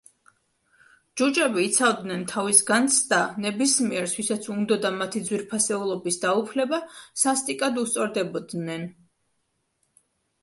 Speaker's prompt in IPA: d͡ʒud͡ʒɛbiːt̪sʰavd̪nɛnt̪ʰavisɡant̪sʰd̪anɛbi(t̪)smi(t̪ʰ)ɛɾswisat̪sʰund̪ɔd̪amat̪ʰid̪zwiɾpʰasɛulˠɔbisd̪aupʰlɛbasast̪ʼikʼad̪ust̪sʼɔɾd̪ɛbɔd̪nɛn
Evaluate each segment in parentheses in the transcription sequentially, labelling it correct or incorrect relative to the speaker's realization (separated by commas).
incorrect, incorrect